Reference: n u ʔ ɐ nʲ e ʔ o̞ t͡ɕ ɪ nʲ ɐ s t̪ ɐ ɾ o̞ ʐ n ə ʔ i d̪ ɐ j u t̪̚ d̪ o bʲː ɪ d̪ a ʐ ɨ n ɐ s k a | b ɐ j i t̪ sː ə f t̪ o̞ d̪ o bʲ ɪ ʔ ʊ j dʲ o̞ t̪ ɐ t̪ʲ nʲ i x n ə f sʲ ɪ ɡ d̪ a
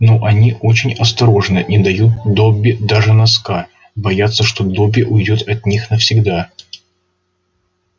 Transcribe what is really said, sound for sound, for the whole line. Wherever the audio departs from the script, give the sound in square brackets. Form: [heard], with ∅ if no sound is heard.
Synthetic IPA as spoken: n [o] ʔ ɐ nʲ [i] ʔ o̞ t͡ɕ ɪ nʲ ɐ s t̪ ɐ ɾ o̞ ʐ n ə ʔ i d̪ ɐ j u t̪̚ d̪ o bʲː ɪ d̪ a ʐ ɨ n ɐ s k a | b ɐ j [a] t̪ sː ə [ʂ] t̪ o̞ d̪ o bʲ ɪ ʔ ʊ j dʲ o̞ t̪ ɐ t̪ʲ nʲ i x n ə f sʲ ɪ ɡ d̪ a